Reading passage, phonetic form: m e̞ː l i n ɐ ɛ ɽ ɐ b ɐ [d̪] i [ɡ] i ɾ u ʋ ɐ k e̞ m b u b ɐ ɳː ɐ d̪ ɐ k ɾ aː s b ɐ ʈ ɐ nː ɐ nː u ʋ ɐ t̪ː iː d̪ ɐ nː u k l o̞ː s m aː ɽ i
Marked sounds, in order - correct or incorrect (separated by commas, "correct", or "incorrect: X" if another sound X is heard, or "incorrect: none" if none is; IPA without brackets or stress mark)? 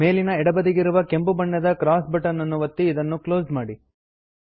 correct, correct